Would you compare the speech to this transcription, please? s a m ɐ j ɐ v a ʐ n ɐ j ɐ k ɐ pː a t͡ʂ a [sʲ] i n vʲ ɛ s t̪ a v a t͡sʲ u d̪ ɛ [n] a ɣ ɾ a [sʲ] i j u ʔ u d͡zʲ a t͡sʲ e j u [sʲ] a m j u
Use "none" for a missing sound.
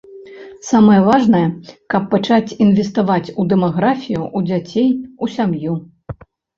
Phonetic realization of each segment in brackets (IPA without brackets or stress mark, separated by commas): t͡sʲ, m, fʲ, sʲ